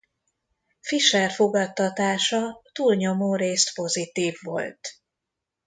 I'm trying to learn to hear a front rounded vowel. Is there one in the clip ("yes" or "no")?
no